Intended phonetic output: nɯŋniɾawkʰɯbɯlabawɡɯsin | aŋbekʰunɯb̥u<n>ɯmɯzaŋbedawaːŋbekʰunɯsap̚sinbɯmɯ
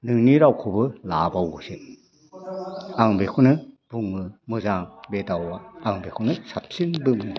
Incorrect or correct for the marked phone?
incorrect: ŋ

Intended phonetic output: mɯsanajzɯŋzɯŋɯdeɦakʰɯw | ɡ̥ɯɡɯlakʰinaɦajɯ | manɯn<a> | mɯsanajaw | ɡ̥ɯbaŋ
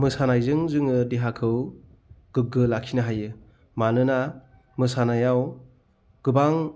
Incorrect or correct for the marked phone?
correct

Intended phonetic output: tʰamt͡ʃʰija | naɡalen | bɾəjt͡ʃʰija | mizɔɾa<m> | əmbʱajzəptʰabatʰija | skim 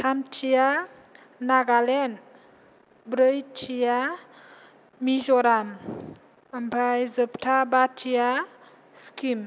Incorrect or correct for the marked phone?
correct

